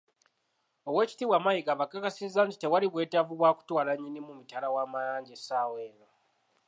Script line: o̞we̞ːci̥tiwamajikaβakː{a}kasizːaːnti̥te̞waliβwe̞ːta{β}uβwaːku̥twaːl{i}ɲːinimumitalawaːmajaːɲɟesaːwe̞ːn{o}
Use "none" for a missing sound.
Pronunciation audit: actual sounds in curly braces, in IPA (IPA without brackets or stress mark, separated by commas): a, v, a, o